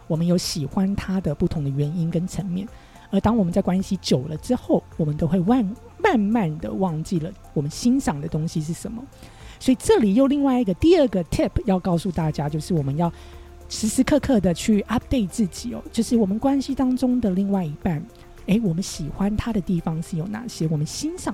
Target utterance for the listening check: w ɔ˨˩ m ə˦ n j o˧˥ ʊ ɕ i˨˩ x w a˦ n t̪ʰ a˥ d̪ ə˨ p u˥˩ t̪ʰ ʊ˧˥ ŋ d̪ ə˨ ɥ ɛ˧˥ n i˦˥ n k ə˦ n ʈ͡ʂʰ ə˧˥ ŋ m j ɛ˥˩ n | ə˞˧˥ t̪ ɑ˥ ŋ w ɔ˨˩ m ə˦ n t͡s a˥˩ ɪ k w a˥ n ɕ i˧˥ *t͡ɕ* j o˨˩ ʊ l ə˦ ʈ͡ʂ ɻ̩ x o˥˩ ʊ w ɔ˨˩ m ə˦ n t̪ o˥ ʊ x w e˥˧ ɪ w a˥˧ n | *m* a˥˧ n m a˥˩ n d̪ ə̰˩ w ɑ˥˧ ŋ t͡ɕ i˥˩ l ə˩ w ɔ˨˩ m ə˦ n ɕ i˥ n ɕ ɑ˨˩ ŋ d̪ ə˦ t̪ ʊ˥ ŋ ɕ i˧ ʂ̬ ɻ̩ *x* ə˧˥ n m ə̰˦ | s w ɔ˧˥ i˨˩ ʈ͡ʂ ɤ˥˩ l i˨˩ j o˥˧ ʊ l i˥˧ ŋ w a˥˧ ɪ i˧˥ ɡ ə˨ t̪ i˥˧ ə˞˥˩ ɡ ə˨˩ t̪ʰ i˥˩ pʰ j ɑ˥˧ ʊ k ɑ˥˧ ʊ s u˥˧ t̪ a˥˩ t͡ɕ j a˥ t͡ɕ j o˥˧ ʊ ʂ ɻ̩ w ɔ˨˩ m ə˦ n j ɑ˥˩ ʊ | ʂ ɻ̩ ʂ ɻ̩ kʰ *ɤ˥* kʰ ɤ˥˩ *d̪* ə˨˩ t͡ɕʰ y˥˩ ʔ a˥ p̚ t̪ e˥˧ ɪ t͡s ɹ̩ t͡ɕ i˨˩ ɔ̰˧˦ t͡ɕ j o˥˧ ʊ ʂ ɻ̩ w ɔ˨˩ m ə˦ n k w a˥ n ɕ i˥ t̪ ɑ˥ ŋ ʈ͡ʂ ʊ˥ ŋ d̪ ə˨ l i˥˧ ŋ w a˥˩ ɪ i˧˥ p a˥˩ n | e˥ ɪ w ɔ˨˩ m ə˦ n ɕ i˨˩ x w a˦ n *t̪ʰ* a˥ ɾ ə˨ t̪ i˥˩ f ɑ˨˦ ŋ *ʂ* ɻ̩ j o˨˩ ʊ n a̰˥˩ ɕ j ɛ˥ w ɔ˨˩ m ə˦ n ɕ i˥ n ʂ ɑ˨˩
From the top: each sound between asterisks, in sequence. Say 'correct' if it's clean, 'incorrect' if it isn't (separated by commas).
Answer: correct, correct, incorrect, incorrect, correct, correct, correct